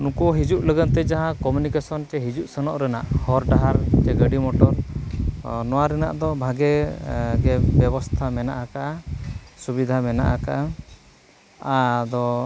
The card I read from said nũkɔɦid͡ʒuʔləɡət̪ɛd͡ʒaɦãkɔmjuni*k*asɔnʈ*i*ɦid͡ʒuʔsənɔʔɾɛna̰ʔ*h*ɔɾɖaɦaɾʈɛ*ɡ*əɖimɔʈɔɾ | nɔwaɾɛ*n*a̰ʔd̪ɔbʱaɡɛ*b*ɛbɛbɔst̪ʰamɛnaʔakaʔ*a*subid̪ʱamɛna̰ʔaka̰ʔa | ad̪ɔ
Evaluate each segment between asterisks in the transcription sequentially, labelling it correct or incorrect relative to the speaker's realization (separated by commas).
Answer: correct, incorrect, correct, correct, correct, incorrect, correct